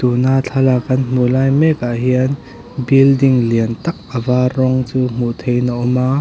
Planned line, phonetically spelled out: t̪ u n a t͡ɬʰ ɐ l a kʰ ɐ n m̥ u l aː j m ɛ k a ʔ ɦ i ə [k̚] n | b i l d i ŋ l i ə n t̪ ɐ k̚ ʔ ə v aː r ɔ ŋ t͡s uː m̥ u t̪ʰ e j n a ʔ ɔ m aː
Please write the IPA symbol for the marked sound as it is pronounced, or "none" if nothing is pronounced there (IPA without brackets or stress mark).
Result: none